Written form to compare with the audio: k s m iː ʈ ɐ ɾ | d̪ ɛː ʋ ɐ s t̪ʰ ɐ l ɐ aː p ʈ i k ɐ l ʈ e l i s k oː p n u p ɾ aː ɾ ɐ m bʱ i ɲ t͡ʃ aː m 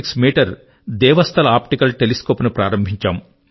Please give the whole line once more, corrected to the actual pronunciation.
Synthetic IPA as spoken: k s m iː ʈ ɐ ɾ | d̪ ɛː ʋ ɐ s t̪ʰ ɐ l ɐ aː p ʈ i k ɐ l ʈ e l i s k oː p n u p ɾ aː ɾ ɐ m bʱ i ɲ t͡ʃ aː m